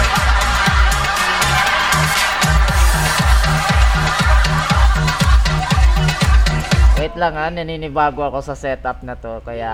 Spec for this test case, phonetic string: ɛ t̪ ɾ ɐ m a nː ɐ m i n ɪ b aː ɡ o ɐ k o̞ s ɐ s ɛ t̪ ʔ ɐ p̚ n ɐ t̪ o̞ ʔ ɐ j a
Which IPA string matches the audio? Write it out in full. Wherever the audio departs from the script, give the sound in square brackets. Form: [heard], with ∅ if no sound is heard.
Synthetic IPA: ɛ t̪ [l] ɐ [ŋ] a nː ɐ [n] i n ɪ b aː ɡ o ɐ k o̞ s ɐ s ɛ t̪ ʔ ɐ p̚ n ɐ t̪ o̞ [k] ɐ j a